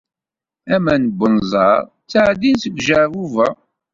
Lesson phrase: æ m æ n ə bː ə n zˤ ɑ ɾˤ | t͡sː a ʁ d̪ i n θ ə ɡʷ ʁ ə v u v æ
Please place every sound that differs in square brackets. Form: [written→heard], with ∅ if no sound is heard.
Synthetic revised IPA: æ m æ n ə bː ə n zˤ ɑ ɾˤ | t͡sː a [ʁ→ʕ] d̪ i n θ ə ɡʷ [ʁ→ʒ] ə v u v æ